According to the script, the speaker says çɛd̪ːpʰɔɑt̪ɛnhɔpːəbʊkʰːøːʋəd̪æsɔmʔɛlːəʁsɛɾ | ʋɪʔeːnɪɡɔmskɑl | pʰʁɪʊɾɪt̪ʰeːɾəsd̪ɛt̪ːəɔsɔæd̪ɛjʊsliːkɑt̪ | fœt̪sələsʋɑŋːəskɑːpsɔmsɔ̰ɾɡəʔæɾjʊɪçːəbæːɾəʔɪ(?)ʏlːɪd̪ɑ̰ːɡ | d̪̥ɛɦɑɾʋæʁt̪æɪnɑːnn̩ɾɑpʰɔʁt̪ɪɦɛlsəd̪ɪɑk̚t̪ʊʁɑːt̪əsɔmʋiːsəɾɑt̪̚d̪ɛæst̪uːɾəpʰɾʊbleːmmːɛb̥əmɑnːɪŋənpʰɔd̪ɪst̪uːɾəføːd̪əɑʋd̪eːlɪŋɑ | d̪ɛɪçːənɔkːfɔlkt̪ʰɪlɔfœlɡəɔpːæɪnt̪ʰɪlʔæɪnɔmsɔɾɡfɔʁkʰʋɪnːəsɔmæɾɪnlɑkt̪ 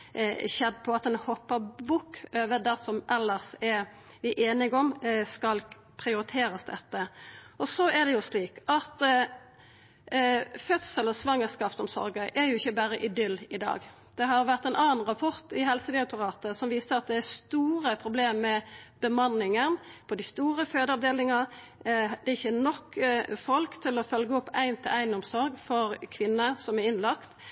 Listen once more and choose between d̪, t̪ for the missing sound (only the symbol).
d̪